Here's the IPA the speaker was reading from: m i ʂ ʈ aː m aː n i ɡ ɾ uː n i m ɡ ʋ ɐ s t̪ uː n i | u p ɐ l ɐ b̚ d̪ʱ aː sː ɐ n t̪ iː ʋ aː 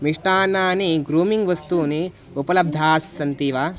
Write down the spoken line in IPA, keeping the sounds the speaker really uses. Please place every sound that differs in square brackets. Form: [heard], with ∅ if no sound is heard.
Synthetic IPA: m i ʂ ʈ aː [n] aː n i ɡ ɾ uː [m] i [ŋ] ɡ ʋ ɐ s t̪ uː n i | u p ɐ l ɐ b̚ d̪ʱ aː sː ɐ n t̪ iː ʋ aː